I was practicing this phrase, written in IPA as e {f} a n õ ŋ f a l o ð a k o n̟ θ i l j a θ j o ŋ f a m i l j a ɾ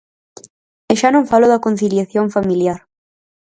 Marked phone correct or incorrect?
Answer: incorrect